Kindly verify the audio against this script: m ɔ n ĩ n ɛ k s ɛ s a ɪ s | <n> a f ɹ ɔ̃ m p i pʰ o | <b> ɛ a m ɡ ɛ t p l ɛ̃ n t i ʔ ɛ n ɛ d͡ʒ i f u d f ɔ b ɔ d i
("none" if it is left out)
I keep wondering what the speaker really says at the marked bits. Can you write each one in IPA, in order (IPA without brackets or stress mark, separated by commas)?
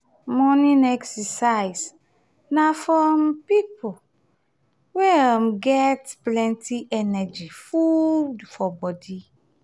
n, w